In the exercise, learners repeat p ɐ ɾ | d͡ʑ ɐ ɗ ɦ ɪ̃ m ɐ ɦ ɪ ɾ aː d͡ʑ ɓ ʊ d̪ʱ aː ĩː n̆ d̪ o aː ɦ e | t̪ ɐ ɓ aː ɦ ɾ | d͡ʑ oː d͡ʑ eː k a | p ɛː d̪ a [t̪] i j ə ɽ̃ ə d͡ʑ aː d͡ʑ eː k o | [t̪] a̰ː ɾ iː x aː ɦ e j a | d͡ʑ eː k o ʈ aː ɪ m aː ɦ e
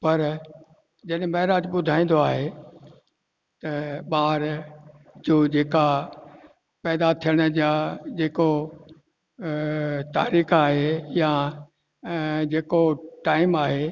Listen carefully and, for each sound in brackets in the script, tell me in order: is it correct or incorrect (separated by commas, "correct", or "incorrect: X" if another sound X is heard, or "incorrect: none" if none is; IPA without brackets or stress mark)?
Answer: incorrect: t̪ʰ, correct